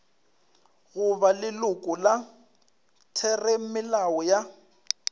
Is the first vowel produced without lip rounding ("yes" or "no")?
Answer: no